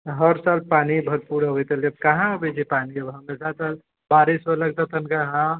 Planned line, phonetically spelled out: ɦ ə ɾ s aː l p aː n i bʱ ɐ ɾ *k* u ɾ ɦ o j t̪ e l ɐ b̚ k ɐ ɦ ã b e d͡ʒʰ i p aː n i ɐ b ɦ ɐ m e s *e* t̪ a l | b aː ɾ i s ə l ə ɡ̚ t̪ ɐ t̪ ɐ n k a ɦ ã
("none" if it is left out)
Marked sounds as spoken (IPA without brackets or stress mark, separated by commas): p, a